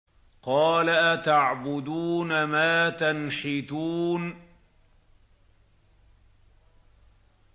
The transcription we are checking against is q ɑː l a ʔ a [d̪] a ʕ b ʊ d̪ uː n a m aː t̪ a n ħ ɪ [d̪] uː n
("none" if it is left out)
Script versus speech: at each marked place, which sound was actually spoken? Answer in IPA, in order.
t̪, t̪

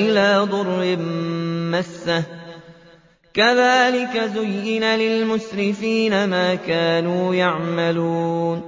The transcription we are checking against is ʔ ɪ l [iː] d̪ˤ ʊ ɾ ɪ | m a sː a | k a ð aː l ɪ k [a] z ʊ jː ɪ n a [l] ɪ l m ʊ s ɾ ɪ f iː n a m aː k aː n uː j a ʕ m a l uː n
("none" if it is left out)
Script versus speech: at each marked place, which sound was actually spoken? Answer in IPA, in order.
aː, a, l

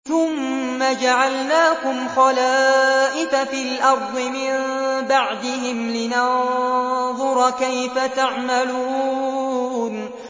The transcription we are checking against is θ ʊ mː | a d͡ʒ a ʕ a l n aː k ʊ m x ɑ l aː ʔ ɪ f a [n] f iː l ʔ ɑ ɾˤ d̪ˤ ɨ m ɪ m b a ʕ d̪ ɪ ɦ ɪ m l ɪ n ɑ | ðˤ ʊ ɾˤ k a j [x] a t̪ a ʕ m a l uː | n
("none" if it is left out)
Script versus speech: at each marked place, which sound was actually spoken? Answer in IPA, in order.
none, f

